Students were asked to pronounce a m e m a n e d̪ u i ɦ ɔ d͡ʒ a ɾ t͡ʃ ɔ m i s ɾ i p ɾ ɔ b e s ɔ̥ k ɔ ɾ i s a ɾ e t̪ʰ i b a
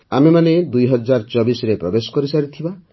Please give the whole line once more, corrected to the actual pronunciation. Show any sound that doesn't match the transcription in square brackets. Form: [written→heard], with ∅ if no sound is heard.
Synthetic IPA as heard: a m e m a n e d̪ u [i→j] ɦ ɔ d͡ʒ a ɾ t͡ʃ ɔ [m→b] i s ɾ [i→e] p ɾ ɔ b e s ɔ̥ k ɔ ɾ i s a ɾ [e→i] t̪ʰ i b a